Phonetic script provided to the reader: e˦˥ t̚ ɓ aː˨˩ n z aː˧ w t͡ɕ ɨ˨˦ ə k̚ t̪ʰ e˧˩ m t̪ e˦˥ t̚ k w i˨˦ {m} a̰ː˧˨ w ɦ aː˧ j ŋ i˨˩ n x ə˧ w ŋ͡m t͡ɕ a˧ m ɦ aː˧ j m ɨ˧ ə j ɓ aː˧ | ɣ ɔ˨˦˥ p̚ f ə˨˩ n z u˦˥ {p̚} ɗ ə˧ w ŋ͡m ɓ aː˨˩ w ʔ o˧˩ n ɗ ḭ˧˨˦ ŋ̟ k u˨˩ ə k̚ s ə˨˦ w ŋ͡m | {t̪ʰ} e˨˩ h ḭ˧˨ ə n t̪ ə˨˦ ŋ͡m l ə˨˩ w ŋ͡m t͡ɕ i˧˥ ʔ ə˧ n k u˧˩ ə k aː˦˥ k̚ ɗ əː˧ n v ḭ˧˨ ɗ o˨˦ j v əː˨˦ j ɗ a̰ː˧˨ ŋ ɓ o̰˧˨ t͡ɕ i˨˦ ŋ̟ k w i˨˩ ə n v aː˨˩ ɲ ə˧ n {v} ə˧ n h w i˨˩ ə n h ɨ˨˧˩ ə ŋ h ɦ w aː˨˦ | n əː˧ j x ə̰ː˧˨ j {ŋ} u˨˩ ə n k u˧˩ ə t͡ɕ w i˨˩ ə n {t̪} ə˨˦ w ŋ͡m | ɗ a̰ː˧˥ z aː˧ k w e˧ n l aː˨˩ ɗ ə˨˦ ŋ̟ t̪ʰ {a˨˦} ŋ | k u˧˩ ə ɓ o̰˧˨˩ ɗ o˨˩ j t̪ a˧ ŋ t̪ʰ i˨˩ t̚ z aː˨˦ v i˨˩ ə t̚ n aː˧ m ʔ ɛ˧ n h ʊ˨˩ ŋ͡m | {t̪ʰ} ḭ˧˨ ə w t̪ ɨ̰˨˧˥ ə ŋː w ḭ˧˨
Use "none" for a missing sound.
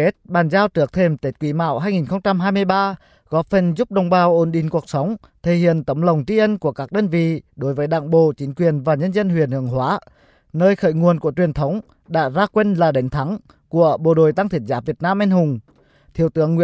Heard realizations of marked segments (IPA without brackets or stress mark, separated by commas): m, p̚, t̪ʰ, z, ŋ, t̪ʰ, a˨˦, t̪ʰ